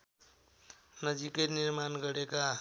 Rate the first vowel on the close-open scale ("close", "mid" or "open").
mid